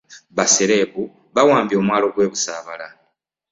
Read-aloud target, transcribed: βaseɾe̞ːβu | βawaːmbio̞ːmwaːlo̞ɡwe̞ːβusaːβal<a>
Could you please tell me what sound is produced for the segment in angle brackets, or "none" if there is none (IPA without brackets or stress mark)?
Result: a